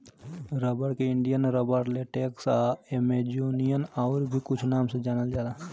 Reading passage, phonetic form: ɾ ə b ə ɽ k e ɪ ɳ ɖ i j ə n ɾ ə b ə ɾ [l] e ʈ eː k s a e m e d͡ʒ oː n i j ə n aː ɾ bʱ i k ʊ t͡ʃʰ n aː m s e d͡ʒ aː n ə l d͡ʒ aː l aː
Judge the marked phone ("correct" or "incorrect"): correct